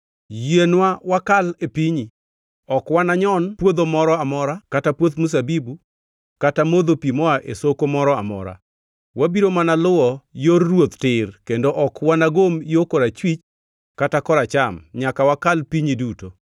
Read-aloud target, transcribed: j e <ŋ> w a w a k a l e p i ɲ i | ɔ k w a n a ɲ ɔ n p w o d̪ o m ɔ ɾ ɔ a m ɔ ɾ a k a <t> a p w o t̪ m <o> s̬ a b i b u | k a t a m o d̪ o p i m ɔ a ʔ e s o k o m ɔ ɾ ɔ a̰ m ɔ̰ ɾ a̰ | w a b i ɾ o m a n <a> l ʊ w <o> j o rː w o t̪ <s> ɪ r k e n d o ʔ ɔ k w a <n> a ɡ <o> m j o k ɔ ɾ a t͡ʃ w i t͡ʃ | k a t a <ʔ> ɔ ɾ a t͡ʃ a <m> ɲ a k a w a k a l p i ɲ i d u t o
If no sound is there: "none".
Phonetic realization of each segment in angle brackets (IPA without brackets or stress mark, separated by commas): n, t, u, a, ɔ, t, n, o, k, m